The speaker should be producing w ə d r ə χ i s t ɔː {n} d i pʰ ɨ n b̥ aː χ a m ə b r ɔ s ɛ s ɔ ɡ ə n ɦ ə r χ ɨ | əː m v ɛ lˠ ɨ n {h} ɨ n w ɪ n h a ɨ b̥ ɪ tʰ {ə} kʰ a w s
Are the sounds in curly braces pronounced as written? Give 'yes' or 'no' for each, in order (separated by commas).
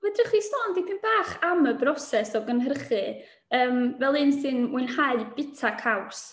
yes, no, no